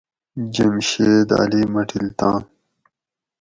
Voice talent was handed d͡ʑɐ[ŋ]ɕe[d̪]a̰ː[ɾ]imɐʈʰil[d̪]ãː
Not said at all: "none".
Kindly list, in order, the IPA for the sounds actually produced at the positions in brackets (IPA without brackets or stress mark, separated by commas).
m, d̪, l, t̪